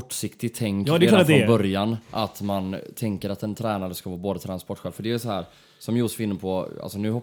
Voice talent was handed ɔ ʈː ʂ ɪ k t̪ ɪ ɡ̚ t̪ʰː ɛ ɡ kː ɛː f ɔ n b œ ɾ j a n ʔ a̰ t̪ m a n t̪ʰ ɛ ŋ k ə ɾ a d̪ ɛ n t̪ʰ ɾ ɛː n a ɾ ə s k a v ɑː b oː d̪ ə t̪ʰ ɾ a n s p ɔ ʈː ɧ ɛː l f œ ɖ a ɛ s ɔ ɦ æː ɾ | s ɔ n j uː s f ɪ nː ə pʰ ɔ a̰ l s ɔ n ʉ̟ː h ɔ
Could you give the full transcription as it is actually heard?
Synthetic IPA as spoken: ɔ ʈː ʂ ɪ k t̪ ɪ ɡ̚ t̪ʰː ɛ ŋ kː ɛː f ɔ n b œ ɾ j a n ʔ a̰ t̪ m a n t̪ʰ ɛ ŋ k ə ɾ a t̪ ɛ n t̪ʰ ɾ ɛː n a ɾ ə s k a v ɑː b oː d̪ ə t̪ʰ ɾ a n s p ɔ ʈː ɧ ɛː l f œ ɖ ɛ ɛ s ɔ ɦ æː ɾ | s ɔ m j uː s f ɪ nː ə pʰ ɔ a̰ l s ɔ n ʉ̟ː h ɔ